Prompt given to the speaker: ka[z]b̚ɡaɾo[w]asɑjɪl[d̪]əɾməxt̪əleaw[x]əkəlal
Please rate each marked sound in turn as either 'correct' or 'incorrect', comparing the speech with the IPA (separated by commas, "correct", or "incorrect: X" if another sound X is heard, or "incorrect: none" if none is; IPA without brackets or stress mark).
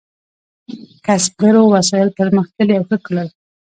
incorrect: s, correct, incorrect: t̪, correct